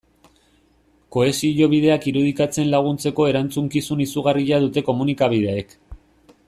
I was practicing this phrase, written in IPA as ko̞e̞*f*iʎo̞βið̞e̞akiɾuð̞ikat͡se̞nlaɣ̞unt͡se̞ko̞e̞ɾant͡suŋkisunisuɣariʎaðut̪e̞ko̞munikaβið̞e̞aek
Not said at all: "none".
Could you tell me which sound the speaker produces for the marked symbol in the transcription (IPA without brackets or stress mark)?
s